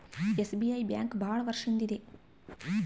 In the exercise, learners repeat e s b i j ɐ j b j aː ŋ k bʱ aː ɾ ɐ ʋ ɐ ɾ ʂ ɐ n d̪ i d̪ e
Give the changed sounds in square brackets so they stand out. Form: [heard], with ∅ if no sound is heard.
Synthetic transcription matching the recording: e s b i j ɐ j b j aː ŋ k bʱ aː [ɭ] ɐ ʋ ɐ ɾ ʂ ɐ n d̪ i d̪ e